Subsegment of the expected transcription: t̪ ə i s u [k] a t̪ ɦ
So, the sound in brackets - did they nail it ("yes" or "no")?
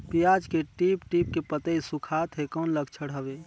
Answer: no